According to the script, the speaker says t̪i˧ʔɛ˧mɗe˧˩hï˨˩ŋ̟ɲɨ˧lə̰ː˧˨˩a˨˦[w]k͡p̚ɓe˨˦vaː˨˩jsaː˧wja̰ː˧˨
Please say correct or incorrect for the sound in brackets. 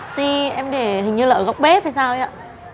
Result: correct